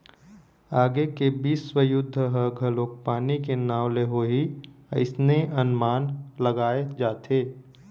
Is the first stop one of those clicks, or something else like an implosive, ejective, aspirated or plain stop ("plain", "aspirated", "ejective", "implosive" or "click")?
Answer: plain